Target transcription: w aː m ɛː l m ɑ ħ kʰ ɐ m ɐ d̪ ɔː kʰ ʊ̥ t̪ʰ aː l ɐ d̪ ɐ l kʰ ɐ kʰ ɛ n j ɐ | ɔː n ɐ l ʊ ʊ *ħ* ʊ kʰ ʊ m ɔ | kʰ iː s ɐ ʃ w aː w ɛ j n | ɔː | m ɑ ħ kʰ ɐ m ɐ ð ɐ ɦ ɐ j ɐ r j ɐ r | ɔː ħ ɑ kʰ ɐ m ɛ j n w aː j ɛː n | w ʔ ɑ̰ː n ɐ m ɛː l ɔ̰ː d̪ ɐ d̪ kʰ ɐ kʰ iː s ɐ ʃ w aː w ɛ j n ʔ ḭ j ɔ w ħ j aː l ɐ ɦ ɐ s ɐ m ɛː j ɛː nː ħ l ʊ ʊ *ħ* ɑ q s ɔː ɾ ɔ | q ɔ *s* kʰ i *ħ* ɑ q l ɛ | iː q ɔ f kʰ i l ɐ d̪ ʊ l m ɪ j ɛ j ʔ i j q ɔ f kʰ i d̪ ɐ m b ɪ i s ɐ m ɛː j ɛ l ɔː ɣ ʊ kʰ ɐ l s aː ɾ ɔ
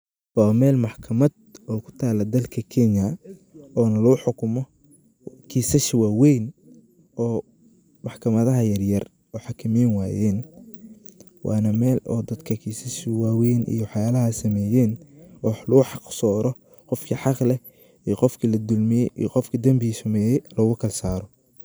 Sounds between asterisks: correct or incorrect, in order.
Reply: correct, correct, incorrect: f, correct

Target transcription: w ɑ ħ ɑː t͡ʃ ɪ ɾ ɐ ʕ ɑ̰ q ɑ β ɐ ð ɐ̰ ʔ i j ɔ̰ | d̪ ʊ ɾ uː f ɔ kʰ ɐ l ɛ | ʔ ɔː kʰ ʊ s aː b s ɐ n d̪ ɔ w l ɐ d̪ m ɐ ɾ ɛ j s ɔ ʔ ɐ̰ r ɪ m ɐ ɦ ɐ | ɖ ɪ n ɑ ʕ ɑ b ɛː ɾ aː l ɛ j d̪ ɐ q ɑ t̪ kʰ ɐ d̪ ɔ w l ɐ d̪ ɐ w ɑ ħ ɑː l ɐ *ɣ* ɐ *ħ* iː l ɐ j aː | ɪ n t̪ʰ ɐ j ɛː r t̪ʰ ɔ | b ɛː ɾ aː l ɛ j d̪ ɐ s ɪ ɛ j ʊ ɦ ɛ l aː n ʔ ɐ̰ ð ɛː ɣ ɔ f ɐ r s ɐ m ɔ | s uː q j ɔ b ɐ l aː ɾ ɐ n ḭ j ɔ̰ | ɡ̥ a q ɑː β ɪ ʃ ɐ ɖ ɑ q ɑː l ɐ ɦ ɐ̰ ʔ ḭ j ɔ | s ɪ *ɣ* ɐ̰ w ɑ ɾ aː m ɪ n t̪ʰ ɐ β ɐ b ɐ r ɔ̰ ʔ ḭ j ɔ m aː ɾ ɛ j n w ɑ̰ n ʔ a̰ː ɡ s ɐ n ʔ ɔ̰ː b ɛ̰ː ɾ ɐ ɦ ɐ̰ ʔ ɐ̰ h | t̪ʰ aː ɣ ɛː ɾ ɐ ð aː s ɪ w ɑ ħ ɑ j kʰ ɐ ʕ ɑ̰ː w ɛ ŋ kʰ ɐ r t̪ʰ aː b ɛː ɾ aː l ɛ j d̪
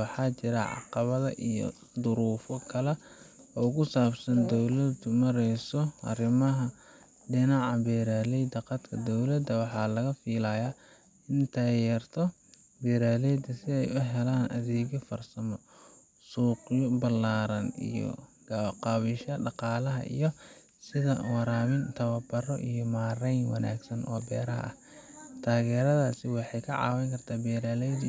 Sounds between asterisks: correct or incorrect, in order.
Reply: correct, incorrect: f, incorrect: ð

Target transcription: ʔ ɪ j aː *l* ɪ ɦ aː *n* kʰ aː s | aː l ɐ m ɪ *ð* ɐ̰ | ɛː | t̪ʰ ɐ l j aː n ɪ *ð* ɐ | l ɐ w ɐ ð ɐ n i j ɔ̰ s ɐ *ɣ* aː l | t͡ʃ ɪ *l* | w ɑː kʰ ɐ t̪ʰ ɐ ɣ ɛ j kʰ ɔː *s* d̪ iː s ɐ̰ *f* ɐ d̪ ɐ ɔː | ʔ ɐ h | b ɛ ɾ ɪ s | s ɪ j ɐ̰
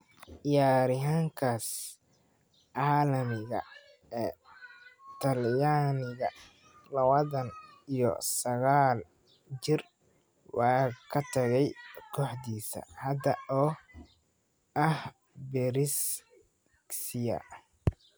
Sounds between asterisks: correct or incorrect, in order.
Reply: incorrect: ɾ, incorrect: ŋ, incorrect: ɣ, incorrect: ɣ, correct, incorrect: r, incorrect: ħ, incorrect: h

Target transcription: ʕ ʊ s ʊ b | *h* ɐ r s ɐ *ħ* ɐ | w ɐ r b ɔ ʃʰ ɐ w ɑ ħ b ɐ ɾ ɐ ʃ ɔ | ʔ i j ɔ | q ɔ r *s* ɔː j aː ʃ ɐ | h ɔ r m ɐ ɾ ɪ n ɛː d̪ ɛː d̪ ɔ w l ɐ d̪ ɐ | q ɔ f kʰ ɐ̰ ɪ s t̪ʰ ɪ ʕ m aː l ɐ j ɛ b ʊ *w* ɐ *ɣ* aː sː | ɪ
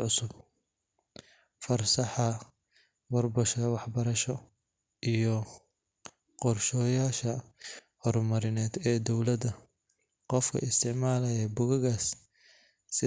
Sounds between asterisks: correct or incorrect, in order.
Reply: incorrect: f, correct, incorrect: ʃ, incorrect: ɣ, correct

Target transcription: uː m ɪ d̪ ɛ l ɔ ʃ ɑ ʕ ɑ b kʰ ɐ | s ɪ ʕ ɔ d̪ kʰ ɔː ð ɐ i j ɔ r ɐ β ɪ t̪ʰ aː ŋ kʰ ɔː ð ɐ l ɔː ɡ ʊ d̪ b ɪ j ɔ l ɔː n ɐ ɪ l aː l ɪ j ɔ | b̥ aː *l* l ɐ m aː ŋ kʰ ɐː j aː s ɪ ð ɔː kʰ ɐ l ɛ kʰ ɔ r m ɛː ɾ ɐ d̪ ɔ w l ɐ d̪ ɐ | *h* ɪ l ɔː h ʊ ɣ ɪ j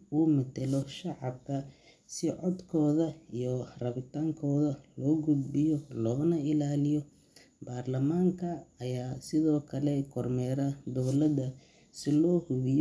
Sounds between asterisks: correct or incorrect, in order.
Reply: incorrect: r, incorrect: s

